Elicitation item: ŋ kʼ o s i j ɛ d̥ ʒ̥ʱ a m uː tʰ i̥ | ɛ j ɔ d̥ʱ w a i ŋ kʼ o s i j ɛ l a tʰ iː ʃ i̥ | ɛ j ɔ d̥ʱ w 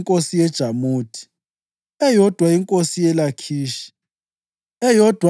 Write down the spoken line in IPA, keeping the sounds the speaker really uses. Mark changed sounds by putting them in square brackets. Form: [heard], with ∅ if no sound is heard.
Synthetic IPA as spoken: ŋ kʼ o s i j ɛ d̥ ʒ̥ʱ a m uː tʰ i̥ | ɛ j ɔ d̥ʱ w a i ŋ kʼ o s i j ɛ l a [kʰ] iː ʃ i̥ | ɛ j ɔ d̥ʱ w